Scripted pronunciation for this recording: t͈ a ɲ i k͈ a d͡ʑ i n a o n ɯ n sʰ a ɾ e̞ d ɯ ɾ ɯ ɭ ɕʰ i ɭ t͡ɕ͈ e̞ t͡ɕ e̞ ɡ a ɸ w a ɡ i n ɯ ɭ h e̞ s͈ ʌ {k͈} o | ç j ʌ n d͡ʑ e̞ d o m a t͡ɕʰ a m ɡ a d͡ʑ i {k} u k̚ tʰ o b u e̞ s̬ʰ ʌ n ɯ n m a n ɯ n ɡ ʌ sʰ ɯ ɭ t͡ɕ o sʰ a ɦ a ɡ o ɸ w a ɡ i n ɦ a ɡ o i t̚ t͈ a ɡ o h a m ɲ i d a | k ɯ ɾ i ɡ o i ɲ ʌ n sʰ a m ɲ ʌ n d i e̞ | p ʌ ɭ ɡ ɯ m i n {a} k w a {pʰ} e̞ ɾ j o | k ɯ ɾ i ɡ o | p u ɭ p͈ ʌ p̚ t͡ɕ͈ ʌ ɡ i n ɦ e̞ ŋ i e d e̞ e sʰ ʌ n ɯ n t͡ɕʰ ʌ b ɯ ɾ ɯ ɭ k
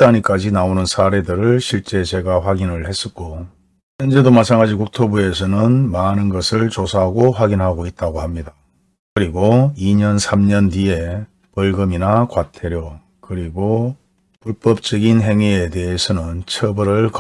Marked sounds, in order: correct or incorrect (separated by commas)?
correct, correct, correct, incorrect